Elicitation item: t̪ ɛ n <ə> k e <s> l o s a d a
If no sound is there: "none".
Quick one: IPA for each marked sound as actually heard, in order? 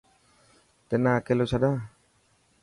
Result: a, none

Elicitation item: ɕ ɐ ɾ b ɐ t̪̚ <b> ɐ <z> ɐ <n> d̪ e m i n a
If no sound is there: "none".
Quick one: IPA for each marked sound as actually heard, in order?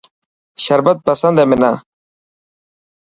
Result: p, s, n

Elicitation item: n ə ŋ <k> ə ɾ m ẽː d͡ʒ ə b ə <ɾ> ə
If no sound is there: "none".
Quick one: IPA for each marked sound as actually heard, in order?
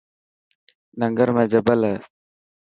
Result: ɡ, l

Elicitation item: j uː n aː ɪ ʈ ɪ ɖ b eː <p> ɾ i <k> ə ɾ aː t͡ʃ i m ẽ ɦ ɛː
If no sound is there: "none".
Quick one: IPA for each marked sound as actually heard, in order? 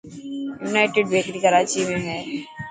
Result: k, k

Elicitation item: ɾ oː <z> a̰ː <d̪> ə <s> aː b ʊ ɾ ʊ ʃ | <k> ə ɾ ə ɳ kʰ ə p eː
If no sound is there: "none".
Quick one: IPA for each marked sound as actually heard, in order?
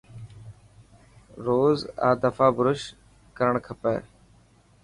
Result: z, d̪, f, k

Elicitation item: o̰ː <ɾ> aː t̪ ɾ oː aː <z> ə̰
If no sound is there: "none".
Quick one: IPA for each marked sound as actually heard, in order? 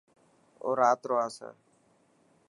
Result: ɾ, s

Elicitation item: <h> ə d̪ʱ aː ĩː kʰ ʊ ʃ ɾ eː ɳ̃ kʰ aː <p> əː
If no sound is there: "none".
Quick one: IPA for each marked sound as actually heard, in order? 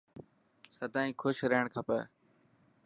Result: s, p

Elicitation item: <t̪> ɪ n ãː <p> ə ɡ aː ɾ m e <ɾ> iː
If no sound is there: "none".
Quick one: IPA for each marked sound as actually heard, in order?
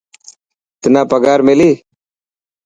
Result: t̪, p, l

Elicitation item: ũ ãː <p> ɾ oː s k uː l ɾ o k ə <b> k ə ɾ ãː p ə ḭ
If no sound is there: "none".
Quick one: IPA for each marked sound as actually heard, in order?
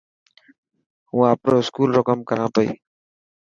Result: p, m

